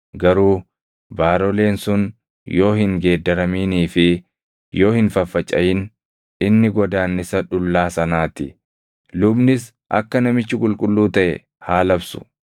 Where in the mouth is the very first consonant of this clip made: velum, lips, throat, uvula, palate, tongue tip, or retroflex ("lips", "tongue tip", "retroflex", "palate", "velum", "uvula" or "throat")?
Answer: velum